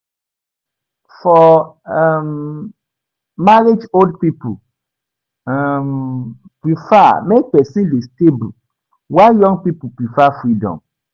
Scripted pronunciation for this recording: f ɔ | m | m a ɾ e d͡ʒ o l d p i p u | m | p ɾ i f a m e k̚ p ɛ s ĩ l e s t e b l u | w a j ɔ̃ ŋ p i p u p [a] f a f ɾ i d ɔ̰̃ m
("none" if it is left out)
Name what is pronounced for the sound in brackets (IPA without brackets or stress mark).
i